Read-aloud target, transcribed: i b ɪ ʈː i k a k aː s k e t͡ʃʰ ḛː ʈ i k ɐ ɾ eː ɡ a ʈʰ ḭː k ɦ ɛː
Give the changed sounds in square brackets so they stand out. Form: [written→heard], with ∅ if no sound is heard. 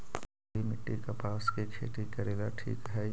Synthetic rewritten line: i [b→m] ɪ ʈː i k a [k→p] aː s k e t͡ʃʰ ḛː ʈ i k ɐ ɾ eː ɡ a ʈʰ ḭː k ɦ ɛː

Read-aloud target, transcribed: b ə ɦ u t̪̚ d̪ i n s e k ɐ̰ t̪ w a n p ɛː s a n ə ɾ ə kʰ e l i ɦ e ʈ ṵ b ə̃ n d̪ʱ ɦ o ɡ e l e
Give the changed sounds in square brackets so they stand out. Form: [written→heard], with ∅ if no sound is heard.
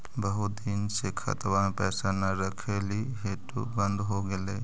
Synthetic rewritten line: b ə ɦ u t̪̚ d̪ i n s e [k→kʰ] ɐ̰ t̪ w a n p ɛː s a n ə ɾ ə kʰ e l i ɦ e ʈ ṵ b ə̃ n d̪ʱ ɦ o ɡ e l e

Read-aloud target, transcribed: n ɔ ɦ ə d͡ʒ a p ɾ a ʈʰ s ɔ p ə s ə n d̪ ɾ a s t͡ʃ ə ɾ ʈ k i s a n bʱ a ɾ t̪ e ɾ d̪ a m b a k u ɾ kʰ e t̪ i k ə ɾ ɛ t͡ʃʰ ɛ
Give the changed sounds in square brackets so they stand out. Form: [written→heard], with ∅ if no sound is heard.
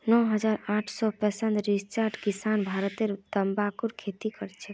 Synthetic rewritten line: n ɔ ɦ ə d͡ʒ a [p→∅] ɾ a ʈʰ s ɔ p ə s ə n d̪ ɾ [a→i] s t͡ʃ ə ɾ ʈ k i s a n bʱ a ɾ t̪ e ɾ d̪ [a→ə] m b a k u ɾ kʰ e t̪ i k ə ɾ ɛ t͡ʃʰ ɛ

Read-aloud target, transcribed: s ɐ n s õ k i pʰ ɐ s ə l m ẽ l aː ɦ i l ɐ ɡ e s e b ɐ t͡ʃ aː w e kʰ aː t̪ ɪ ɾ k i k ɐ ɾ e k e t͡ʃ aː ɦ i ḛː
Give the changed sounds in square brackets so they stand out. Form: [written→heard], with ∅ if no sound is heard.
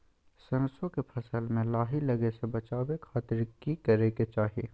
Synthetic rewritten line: s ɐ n s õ k [i→e] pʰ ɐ s ə l m ẽ l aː ɦ i l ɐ ɡ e s e b ɐ t͡ʃ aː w e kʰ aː t̪ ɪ ɾ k i k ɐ ɾ e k e t͡ʃ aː ɦ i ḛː

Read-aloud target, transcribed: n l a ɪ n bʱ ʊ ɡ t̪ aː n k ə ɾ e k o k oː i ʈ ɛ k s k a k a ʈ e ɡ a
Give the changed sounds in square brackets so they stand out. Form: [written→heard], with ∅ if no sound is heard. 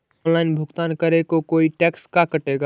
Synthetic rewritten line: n l a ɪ n bʱ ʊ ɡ t̪ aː n k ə ɾ e k o k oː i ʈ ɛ k s k a k [a→ə] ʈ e ɡ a

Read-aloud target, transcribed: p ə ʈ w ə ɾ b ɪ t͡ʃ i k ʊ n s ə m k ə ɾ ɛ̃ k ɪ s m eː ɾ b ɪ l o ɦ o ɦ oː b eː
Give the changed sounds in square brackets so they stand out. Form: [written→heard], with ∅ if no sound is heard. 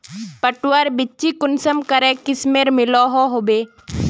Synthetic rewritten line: p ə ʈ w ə ɾ b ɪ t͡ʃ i k ʊ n s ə m k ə ɾ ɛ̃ k ɪ s m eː ɾ [b→m] ɪ l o ɦ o ɦ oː b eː

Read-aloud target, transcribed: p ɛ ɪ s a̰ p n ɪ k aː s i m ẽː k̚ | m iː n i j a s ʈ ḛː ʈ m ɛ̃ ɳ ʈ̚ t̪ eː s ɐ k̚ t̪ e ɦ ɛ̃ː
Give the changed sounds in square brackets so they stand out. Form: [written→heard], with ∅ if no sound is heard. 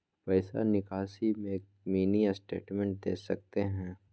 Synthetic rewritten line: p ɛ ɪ s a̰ [p→∅] n ɪ k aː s i m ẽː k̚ | m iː n i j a s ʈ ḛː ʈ m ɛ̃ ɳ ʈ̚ [t̪→d̪] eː s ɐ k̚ t̪ e ɦ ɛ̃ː

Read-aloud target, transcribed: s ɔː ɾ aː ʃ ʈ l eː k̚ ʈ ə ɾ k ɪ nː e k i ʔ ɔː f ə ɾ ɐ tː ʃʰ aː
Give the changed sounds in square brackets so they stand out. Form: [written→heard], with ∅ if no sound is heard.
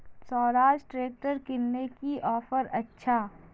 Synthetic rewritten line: s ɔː ɾ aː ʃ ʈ [l→ɾ] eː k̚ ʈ ə ɾ k ɪ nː e k i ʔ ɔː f ə ɾ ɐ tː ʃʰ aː

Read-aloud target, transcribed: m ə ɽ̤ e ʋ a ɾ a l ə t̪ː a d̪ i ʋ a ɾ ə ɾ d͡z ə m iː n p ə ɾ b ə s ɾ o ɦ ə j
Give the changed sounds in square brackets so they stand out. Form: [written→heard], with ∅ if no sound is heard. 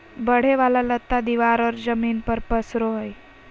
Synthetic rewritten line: [m→b] ə ɽ̤ e ʋ a [ɾ→l] a l ə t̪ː a d̪ i ʋ a ɾ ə ɾ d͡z ə m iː n p ə ɾ [b→p] ə s ɾ o ɦ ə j

